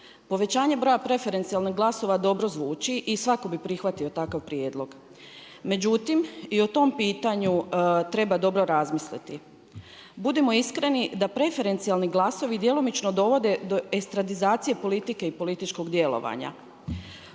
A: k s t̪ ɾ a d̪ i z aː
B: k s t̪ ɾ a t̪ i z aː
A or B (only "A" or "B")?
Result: A